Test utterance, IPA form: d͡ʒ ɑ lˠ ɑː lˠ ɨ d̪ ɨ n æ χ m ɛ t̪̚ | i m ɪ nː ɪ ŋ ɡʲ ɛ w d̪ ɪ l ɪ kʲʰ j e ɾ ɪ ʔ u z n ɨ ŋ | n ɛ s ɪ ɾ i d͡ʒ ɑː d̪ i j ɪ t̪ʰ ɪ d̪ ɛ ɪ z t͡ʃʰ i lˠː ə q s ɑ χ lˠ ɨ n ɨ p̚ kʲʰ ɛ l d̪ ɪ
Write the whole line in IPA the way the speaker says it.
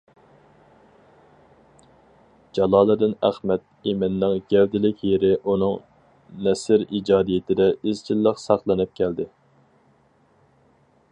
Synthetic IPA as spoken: d͡ʒ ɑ lˠ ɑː lˠ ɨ d̪ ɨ n æ χ m ɛ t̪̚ | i m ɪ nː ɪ ŋ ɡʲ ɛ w d̪ ɪ l ɪ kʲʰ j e ɾ ɪ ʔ u n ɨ ŋ | n ɛ s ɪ ɾ i d͡ʒ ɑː d̪ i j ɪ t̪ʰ ɪ d̪ ɛ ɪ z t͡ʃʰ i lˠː ə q s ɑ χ lˠ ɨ n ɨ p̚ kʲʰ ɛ l d̪ ɪ